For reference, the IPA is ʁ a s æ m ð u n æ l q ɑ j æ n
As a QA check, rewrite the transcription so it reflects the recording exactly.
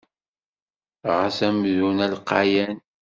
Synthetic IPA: ʁ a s æ m ð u n æ l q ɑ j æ n